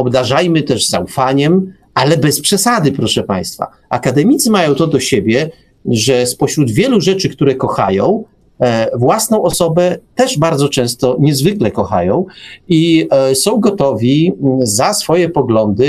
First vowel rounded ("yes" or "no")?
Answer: yes